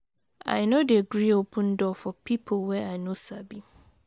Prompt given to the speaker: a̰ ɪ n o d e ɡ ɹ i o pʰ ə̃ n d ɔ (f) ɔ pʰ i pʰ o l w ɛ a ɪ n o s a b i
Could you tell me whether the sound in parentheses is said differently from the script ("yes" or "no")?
no